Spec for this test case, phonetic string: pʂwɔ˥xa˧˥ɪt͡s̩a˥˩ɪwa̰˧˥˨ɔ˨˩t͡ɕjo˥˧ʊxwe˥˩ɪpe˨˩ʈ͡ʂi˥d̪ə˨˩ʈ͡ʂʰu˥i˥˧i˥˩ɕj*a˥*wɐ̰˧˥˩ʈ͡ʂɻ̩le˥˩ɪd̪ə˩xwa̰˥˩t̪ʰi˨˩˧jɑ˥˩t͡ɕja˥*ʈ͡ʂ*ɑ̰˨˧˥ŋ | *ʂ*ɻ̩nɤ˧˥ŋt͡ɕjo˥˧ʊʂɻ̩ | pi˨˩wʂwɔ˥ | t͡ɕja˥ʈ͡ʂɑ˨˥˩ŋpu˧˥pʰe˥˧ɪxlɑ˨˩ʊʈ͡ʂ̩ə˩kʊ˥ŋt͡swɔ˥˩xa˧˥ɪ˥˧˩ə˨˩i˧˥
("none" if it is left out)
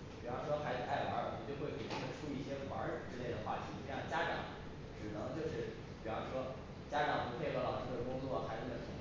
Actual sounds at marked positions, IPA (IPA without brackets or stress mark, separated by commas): ɛ˥, ʈ͡ʂ, ʈ͡ʂ